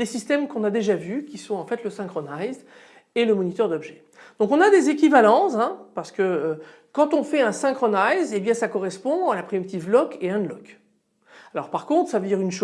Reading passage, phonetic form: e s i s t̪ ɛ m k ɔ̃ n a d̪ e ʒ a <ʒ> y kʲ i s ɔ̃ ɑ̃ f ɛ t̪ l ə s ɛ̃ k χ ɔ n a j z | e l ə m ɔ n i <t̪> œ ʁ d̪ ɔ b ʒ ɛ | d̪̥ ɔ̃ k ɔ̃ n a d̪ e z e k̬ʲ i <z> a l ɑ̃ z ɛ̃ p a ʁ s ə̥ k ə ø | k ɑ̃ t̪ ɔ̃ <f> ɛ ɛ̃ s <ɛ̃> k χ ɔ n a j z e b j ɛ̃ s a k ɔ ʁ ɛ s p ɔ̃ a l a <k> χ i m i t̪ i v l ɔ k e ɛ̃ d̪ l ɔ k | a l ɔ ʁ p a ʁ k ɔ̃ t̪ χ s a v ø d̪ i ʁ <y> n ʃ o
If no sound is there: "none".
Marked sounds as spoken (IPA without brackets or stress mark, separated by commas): v, t̪, v, f, ɛ̃, p, y